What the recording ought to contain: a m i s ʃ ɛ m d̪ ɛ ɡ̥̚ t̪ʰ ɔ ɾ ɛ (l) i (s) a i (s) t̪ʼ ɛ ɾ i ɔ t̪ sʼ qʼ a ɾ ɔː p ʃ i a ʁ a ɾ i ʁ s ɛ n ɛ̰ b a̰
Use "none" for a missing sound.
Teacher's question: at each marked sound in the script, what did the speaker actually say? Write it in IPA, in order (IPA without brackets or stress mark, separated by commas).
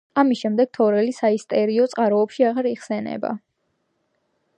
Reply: l, s, s